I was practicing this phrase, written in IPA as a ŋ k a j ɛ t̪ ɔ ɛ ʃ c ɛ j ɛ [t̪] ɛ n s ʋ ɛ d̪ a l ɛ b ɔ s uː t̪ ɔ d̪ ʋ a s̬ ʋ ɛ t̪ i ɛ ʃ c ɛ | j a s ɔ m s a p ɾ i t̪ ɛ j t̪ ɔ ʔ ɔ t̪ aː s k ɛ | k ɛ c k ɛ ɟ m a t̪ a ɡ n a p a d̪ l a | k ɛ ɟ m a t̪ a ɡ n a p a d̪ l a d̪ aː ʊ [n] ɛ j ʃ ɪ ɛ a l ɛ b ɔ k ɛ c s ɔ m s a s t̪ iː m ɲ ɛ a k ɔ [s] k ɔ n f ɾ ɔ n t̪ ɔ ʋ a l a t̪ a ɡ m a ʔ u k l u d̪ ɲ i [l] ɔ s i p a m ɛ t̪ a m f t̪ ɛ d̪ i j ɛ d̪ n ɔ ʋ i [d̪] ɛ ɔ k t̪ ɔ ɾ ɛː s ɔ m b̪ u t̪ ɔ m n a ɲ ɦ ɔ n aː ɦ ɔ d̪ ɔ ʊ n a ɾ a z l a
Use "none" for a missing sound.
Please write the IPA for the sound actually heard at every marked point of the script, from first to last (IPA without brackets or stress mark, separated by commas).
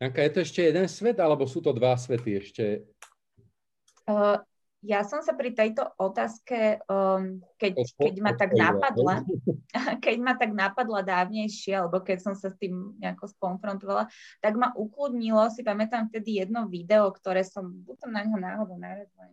d̪, ɲ, s, l, d̪